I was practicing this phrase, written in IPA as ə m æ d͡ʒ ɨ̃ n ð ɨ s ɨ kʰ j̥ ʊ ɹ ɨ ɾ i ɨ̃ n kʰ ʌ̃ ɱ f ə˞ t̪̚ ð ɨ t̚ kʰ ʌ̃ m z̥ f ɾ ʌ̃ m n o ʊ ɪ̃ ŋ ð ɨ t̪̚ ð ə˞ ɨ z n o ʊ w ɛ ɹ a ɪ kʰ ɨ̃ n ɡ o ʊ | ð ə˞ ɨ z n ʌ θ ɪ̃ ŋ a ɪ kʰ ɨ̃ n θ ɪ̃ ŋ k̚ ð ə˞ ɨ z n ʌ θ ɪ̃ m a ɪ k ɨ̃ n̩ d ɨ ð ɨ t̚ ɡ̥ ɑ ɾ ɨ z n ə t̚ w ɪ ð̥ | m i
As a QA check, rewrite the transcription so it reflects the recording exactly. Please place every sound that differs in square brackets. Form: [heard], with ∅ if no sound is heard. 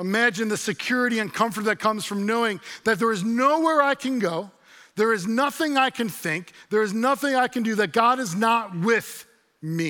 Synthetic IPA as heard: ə m æ d͡ʒ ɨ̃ n ð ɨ s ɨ kʰ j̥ ʊ ɹ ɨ ɾ i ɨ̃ n kʰ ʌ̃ ɱ f ə˞ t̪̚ ð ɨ t̚ kʰ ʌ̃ m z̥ f [ɹ] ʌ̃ m n o ʊ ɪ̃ ŋ ð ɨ t̪̚ ð ə˞ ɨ z n o ʊ w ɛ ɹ a ɪ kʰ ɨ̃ n ɡ o ʊ | ð ə˞ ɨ z n ʌ θ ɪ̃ ŋ a ɪ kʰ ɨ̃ n θ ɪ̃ ŋ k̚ ð ə˞ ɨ z n ʌ θ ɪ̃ [ŋ] a ɪ k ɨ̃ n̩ d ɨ ð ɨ t̚ ɡ̥ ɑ ɾ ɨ z n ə t̚ w ɪ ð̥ | m i